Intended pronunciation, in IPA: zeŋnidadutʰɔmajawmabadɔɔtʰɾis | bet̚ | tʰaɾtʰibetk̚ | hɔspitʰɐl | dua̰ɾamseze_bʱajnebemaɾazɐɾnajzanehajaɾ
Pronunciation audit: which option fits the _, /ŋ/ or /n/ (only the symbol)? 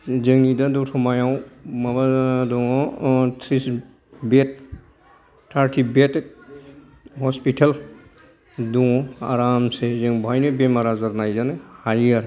ŋ